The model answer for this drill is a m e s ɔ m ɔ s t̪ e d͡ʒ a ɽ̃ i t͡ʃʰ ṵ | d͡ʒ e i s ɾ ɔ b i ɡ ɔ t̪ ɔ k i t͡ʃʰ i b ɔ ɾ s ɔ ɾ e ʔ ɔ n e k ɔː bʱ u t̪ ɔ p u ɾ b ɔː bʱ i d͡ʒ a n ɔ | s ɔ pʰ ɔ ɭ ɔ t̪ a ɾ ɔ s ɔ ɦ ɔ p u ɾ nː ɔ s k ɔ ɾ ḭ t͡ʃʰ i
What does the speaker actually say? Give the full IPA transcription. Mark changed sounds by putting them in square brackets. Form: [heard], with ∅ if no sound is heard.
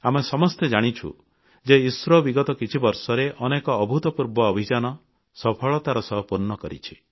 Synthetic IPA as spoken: a m e s ɔ m ɔ s t̪ e d͡ʒ a ɽ̃ i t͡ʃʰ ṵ | d͡ʒ e i s ɾ ɔ b i ɡ ɔ t̪ ɔ k i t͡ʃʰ i b ɔ ɾ s ɔ ɾ e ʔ ɔ n e k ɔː bʱ u t̪ ɔ p u ɾ b ɔː bʱ i d͡ʒ a n ɔ | s ɔ pʰ ɔ ɭ ɔ t̪ a ɾ ɔ s ɔ ɦ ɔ p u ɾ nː ɔ [∅] k ɔ ɾ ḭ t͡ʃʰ i